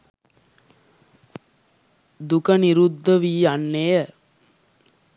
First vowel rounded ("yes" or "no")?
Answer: yes